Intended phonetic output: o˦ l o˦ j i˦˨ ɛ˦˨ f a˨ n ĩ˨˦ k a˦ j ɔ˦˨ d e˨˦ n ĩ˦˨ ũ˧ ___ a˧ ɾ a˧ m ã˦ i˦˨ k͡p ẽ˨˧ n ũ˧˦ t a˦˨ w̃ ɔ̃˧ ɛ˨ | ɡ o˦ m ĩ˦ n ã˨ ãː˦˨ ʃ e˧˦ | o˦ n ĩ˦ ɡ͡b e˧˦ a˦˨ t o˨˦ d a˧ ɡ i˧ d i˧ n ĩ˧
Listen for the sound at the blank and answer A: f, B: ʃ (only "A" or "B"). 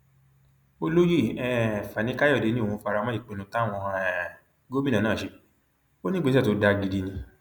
A